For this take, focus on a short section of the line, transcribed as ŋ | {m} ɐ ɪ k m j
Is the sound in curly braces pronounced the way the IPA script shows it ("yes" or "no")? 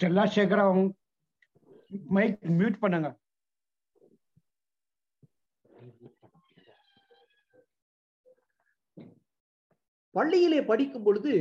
yes